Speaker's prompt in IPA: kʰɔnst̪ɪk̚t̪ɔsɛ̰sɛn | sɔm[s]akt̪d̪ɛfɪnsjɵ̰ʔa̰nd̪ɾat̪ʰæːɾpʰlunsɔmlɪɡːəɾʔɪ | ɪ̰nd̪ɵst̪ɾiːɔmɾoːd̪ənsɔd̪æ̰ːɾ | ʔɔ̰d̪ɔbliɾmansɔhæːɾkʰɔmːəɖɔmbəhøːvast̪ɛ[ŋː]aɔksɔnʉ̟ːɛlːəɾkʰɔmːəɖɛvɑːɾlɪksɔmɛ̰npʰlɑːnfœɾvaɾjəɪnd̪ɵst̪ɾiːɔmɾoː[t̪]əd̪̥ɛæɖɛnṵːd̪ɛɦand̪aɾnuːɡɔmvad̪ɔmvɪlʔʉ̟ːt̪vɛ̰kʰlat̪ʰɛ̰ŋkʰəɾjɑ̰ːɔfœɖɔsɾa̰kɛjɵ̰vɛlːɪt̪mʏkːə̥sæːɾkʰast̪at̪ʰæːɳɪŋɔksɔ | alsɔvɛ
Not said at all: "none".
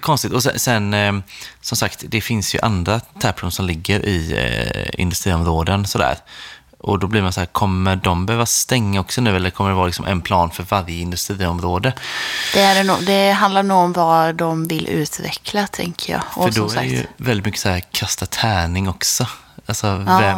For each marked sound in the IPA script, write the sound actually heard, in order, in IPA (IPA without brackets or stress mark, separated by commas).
s, ŋː, d̪